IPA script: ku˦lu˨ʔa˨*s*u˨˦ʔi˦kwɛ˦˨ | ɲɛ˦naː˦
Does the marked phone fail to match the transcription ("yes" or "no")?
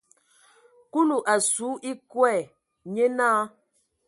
no